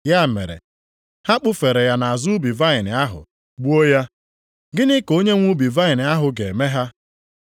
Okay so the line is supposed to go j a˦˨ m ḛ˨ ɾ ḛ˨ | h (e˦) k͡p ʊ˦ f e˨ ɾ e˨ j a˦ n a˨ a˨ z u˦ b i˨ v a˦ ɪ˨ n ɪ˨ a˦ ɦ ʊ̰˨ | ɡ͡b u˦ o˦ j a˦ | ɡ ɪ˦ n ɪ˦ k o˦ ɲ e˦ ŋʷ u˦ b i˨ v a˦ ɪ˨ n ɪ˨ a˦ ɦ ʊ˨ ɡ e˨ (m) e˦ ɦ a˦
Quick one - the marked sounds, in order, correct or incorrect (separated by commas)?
incorrect, correct